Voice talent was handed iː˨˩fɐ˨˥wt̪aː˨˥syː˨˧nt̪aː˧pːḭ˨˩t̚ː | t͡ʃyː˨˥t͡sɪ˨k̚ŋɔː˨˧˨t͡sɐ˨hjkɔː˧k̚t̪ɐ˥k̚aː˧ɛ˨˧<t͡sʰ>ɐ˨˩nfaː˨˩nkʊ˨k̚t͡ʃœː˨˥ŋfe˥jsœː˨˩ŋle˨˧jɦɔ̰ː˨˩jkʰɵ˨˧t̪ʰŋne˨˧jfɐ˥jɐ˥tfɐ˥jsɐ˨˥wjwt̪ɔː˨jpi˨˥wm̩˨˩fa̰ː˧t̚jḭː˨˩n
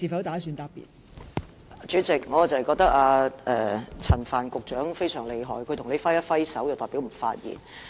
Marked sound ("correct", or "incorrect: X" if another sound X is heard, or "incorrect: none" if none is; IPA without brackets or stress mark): correct